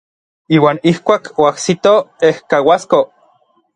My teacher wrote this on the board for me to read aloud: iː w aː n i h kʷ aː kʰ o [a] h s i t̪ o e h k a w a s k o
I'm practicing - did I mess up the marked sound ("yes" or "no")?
no